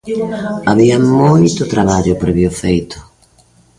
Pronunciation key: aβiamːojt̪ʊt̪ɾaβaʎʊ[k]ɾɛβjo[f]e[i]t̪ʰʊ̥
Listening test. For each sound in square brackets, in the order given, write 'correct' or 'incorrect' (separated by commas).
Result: incorrect, correct, incorrect